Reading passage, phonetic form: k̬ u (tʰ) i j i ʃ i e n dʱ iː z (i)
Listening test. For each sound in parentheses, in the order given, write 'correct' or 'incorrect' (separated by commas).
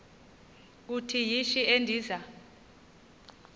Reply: correct, incorrect